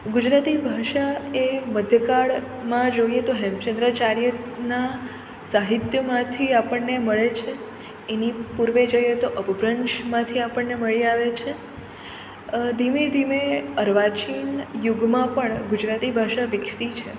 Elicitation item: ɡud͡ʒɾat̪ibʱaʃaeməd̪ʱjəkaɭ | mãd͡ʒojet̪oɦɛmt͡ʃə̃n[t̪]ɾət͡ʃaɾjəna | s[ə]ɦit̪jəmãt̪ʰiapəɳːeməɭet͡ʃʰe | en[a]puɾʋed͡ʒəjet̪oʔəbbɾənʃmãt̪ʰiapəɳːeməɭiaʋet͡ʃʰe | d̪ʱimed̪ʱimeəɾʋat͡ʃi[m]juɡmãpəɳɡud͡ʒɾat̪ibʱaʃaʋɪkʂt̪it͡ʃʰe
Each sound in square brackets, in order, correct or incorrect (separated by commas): incorrect, incorrect, incorrect, incorrect